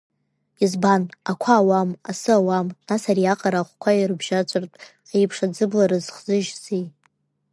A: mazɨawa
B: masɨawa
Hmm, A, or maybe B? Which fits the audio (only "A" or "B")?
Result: B